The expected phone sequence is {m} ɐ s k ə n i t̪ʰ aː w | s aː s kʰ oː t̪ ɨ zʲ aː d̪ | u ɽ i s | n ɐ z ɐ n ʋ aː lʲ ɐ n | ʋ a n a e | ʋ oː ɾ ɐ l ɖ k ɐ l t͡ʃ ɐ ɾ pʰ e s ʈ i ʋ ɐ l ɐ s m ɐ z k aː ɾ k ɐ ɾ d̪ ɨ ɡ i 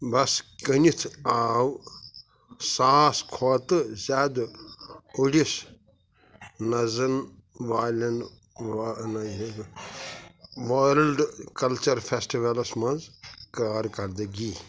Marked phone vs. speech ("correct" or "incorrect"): incorrect